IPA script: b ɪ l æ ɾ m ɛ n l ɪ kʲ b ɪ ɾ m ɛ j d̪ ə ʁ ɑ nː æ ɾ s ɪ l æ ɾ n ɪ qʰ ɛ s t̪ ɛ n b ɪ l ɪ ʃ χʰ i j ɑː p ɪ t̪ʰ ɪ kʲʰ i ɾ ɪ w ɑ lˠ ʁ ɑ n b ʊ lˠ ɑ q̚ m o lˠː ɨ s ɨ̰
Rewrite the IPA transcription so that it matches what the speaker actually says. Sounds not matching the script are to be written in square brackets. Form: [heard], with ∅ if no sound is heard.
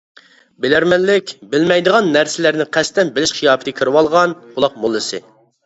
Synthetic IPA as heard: b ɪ l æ ɾ m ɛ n l ɪ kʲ b ɪ [l] m ɛ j d̪ ə ʁ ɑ nː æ ɾ s ɪ l æ ɾ n ɪ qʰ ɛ s t̪ ɛ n b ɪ l ɪ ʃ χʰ i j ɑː p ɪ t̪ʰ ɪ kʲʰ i ɾ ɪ w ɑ lˠ ʁ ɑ n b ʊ lˠ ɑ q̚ m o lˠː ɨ s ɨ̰